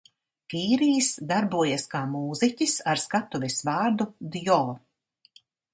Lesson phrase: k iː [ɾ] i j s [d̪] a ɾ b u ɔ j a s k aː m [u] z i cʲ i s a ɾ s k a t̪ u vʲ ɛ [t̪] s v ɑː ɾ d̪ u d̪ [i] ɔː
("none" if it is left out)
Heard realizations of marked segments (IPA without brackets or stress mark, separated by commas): ɾ, d̪, uː, none, j